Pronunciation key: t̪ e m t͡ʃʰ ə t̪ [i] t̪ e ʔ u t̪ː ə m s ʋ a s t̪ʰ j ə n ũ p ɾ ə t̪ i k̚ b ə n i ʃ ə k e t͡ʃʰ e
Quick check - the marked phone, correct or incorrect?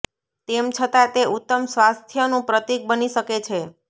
incorrect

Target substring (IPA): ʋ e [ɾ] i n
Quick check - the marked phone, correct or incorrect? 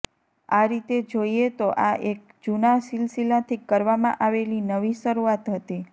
incorrect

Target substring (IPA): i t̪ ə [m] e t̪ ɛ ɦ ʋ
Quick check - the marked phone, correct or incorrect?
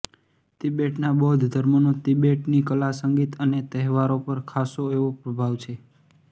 incorrect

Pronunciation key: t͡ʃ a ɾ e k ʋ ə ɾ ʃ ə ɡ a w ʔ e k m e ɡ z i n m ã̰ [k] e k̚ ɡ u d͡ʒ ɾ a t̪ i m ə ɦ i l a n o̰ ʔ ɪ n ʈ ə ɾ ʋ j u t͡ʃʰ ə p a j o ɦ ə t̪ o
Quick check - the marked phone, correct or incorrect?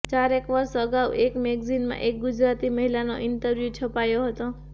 incorrect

